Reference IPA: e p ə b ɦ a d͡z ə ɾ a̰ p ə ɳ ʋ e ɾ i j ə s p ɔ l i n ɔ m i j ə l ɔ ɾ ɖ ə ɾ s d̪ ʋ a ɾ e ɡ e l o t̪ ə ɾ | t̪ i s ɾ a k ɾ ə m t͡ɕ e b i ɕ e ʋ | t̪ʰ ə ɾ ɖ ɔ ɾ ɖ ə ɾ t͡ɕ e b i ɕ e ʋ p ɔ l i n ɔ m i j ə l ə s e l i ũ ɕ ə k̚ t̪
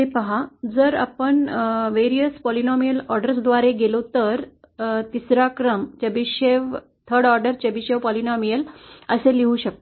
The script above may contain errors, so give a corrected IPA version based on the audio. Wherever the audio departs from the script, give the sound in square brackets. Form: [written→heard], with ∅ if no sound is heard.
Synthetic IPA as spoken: e p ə [b→∅] ɦ a d͡z ə ɾ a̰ p ə ɳ ʋ e ɾ i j ə s p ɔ l i n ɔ m i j ə l ɔ ɾ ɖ ə ɾ s d̪ ʋ a ɾ e ɡ e l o t̪ ə ɾ | t̪ i s ɾ a k ɾ ə m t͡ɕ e b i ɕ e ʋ | t̪ʰ ə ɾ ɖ ɔ ɾ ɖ ə ɾ t͡ɕ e b i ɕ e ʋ p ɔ l i n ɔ m i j ə l ə s e l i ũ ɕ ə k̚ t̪